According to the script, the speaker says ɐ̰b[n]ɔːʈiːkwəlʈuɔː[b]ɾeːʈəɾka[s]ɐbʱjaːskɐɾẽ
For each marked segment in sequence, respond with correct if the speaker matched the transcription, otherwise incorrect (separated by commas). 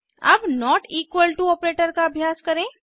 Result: correct, incorrect, incorrect